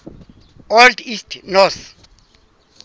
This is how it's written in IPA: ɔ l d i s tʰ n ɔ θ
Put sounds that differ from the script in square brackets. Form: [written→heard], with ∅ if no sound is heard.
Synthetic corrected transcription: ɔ l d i s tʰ n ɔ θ